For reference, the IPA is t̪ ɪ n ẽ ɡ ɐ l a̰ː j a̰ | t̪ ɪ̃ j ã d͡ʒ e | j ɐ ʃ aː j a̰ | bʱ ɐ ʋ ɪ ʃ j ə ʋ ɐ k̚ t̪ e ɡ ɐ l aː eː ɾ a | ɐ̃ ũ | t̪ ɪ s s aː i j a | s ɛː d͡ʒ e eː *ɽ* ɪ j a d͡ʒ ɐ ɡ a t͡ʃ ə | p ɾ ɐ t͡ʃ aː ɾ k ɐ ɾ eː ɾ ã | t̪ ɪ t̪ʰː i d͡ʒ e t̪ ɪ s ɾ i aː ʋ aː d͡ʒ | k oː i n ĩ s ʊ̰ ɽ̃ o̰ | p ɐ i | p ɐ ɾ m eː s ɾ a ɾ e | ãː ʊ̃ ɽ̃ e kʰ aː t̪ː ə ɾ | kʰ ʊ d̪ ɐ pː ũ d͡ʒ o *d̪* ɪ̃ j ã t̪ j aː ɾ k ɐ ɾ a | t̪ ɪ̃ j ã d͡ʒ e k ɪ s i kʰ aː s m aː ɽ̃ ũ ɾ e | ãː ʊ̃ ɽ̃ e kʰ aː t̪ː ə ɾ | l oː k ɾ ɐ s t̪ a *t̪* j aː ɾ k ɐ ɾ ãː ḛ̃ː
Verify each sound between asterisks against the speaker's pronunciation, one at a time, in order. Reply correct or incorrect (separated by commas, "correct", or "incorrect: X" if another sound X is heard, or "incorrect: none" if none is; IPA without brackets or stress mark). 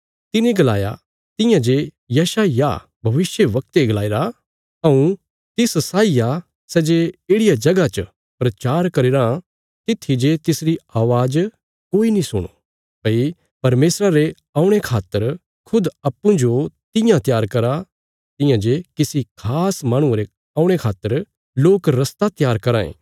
correct, incorrect: t̪, correct